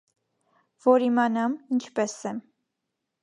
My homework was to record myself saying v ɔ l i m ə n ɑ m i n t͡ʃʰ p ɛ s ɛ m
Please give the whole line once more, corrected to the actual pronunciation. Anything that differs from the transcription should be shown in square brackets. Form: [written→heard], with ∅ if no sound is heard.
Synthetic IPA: v ɔ [l→ɾ] i m [ə→ɑ] n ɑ m i n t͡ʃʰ p ɛ s ɛ m